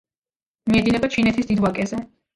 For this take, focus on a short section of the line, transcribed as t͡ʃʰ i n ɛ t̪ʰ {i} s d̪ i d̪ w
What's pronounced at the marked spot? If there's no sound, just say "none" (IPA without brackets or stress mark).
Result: i